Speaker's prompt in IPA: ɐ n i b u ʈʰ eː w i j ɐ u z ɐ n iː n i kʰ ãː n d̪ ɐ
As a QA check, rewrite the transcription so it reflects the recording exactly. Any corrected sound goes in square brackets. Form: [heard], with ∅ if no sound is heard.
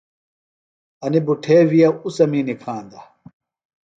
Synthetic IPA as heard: ɐ n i b u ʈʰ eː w i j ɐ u [s] ɐ [m] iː n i kʰ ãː n d̪ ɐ

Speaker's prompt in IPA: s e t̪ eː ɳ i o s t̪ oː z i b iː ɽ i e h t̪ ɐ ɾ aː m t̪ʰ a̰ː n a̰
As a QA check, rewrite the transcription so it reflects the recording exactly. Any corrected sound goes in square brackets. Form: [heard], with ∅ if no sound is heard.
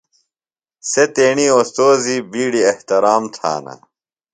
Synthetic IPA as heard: s e t̪ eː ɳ i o s t̪ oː z i b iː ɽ i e h t̪ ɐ ɾ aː m t̪ʰ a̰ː n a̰

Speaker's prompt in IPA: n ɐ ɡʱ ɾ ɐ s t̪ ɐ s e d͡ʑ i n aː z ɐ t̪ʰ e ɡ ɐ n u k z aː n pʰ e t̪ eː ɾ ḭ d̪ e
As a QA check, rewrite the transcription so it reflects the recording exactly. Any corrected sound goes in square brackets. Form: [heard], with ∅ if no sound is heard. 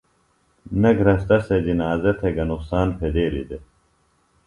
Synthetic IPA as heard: n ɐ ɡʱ ɾ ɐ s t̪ ɐ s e d͡ʑ i n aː z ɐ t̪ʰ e ɡ ɐ n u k [s] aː n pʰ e [d̪] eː ɾ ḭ d̪ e

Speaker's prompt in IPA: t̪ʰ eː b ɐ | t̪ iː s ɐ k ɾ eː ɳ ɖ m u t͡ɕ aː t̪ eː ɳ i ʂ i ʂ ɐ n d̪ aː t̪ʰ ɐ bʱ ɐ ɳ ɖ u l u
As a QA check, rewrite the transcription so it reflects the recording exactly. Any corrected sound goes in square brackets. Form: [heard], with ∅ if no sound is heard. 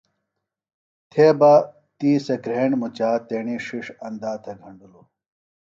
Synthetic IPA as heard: t̪ʰ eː b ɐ | t̪ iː s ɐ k ɾ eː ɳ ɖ m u t͡ɕ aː t̪ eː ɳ i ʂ i ʂ ɐ n d̪ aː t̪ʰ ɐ [ɡʱ] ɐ ɳ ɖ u l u

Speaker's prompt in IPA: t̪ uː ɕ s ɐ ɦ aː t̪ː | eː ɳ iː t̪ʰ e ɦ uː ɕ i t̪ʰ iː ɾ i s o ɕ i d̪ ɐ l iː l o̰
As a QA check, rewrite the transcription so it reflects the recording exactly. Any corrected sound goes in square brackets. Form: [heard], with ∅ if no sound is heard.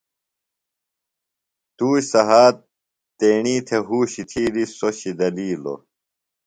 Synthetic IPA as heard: t̪ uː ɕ s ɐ ɦ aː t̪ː | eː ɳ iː t̪ʰ e ɦ uː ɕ i t̪ʰ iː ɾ i s o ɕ i d̪ ɐ l iː l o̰

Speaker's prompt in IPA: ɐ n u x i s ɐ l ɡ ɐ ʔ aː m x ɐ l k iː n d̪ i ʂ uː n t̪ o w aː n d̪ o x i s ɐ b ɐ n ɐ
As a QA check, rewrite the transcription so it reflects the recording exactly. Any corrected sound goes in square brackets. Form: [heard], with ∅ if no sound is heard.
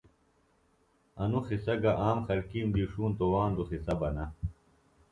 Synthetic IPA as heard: ɐ n u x i s ɐ [∅] ɡ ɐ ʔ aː m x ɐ l k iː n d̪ i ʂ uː n t̪ o w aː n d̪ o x i s ɐ b ɐ n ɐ

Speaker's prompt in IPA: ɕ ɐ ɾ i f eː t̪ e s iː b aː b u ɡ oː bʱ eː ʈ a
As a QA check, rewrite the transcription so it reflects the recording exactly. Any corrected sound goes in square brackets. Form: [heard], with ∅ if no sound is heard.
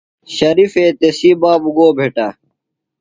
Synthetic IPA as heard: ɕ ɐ ɾ i f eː t̪ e s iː b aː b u ɡ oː bʱ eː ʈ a

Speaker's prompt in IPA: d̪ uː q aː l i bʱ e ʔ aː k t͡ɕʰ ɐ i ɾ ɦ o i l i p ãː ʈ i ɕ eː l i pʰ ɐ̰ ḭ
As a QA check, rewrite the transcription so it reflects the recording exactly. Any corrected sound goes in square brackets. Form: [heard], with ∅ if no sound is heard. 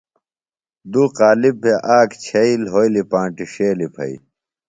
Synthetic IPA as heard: d̪ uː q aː l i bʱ e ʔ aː k t͡ɕʰ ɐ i [l] ɦ o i l i p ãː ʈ i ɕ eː l i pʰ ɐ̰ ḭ

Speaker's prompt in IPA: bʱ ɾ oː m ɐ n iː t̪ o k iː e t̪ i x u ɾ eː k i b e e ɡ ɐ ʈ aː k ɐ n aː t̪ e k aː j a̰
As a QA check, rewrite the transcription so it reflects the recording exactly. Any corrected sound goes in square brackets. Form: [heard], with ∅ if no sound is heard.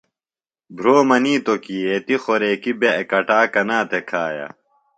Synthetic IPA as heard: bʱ ɾ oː m ɐ n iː t̪ o k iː e t̪ i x [o] ɾ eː k i b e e [k] ɐ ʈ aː k ɐ n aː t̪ e [kʰ] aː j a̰

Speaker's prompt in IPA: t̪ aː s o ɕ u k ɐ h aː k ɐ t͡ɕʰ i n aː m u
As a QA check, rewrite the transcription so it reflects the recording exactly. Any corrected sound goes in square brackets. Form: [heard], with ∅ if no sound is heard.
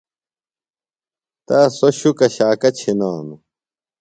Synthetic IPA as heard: t̪ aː s o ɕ u k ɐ [ɕ] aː k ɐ t͡ɕʰ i n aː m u

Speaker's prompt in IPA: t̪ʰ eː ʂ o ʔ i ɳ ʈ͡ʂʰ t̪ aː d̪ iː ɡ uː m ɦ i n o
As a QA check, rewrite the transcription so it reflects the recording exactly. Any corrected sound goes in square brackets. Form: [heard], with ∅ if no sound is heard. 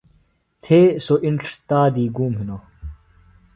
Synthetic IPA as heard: t̪ʰ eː [s] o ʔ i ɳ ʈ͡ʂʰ t̪ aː d̪ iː ɡ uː m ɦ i n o

